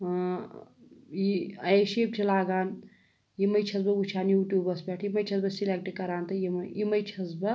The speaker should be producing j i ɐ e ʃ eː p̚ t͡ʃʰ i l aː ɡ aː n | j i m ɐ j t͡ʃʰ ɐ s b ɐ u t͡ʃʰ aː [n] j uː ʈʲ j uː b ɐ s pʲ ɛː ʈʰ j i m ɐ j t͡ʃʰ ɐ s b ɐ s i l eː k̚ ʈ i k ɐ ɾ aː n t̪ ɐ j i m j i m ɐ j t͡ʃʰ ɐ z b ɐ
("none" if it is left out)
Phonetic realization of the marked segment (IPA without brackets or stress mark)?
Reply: n